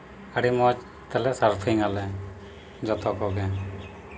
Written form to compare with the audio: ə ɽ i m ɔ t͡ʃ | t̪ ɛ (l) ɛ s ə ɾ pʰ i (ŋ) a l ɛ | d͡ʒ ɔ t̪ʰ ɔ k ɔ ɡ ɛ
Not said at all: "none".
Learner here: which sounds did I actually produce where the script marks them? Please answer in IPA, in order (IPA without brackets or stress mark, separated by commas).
l, ŋ